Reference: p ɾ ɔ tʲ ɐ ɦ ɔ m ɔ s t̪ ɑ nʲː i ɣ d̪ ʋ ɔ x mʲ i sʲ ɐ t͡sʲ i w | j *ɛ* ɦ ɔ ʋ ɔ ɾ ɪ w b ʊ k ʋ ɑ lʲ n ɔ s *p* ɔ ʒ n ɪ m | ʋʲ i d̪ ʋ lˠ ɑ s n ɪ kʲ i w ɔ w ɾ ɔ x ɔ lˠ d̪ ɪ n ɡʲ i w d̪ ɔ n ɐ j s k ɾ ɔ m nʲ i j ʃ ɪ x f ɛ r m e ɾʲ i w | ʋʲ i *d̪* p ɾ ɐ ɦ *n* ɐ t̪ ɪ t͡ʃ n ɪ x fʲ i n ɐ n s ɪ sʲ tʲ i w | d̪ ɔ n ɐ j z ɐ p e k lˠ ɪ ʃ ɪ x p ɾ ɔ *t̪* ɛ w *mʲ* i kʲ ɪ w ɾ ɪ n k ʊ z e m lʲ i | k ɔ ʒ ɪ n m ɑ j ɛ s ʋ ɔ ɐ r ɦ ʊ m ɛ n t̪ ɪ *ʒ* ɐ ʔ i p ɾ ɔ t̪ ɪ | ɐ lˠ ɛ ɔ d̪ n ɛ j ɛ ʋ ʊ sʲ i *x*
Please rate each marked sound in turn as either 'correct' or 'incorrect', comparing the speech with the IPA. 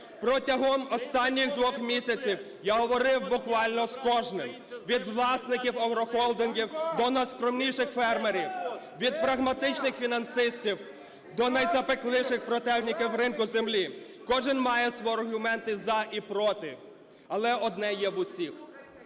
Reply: incorrect, incorrect, correct, incorrect, correct, incorrect, incorrect, correct

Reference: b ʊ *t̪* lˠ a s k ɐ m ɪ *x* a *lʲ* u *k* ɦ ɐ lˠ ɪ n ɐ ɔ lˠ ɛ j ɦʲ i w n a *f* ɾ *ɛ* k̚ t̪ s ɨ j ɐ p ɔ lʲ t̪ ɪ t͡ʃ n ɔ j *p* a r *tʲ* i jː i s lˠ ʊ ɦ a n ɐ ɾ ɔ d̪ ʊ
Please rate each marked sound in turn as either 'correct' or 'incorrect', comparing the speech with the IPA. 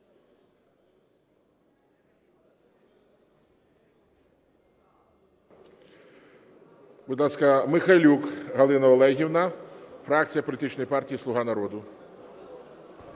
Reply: incorrect, correct, correct, correct, correct, incorrect, correct, correct

